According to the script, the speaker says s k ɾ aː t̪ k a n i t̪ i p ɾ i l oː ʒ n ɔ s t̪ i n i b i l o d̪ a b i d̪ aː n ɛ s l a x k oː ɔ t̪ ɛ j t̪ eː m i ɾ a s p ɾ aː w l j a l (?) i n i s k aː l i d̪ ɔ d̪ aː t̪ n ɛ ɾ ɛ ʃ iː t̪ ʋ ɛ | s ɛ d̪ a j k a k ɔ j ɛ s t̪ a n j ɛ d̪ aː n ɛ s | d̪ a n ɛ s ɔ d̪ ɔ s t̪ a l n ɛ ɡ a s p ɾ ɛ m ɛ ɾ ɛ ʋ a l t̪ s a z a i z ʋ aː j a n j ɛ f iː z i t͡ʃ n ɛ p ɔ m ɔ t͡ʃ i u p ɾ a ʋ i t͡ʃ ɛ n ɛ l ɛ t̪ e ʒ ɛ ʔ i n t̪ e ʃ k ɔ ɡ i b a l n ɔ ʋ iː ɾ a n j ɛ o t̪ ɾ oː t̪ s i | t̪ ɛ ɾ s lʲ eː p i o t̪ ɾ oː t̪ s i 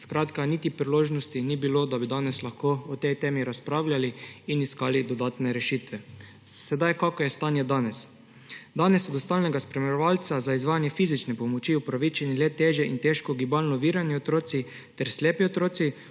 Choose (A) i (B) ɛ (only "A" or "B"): A